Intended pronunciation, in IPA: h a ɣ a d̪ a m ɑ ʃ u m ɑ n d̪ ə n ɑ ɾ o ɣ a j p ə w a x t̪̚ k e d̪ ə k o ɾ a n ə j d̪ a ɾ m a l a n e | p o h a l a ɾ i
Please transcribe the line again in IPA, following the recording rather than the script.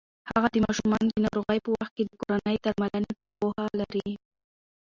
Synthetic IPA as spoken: h a ɣ a d̪ ə m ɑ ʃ u m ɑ n d̪ ə n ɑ ɾ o ɣ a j p ə w a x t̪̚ k e d̪ ə k o ɾ a n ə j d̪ a ɾ m a l a n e | p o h a l a ɾ i